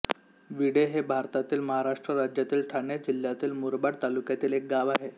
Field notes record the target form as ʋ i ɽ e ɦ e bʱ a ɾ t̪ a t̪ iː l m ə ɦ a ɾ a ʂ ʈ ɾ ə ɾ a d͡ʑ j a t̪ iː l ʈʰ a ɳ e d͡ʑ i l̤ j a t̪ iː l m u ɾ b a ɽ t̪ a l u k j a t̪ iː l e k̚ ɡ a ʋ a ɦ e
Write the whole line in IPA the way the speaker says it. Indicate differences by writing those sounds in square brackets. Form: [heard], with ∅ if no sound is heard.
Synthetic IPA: ʋ i ɽ e ɦ e bʱ a ɾ t̪ a t̪ iː l m ə ɦ a ɾ a ʂ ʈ ɾ ə ɾ a d͡ʑ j a t̪ iː l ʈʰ a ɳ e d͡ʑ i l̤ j a t̪ iː l m u ɾ b a ɽ t̪ a l u k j a t̪ iː l e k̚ ɡ a ʋ a ɦ e